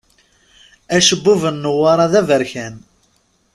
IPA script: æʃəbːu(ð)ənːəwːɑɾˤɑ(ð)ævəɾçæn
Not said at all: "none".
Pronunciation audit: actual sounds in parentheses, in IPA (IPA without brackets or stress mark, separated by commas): v, ð